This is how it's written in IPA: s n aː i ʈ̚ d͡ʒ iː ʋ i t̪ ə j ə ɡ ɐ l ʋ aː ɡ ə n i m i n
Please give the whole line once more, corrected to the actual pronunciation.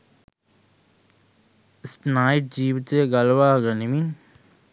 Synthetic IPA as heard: s n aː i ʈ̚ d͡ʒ iː ʋ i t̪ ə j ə ɡ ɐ l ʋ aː ɡ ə n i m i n